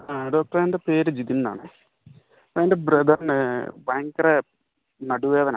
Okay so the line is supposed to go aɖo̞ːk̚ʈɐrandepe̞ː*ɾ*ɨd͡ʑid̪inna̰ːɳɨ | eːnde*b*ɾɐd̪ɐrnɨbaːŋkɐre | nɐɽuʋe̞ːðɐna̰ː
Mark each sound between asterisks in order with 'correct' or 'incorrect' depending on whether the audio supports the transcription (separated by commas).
correct, correct